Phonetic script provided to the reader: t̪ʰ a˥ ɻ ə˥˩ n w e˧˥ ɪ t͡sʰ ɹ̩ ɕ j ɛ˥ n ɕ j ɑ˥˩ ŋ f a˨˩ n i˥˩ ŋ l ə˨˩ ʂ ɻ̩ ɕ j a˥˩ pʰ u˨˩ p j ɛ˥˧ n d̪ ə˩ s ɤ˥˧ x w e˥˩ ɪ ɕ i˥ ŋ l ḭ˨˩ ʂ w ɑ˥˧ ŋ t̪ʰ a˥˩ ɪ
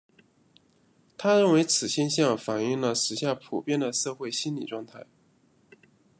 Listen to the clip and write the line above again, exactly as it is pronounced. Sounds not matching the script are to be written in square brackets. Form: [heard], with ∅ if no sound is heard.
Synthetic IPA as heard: t̪ʰ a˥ ɻ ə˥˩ n w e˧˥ ɪ t͡sʰ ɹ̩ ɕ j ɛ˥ n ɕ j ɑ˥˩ ŋ f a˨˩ n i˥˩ ŋ l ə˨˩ ʂ ɻ̩ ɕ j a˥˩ pʰ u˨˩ p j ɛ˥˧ n d̪ ə˩ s ɤ˥˧ x w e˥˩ ɪ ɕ i˥ [n] l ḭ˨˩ [ʈ͡ʂ] w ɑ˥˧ ŋ t̪ʰ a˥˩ ɪ